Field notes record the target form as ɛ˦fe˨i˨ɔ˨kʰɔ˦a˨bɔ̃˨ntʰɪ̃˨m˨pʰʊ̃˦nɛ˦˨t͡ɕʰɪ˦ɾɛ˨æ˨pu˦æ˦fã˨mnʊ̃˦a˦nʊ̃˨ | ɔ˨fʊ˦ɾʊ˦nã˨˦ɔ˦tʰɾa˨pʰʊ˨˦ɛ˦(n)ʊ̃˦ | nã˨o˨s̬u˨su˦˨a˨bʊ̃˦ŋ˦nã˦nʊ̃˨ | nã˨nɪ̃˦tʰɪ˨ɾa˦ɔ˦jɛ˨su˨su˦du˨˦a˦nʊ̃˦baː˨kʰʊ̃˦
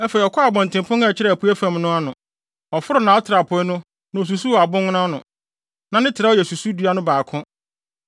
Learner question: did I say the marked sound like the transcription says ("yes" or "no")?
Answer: yes